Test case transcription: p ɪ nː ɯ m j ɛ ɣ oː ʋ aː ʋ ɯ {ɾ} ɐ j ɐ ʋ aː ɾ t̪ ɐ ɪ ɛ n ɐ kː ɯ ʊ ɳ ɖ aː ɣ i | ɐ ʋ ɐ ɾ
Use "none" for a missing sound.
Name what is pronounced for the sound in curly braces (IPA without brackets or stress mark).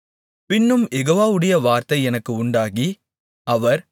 ɽ